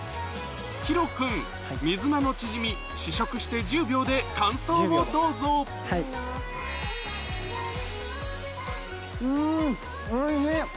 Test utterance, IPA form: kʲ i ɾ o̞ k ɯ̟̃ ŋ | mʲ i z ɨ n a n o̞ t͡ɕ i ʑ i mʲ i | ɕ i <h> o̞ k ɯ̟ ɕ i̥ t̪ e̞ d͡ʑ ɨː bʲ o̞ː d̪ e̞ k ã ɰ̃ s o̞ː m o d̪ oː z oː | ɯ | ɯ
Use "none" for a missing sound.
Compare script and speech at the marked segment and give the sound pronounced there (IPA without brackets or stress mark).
ɕ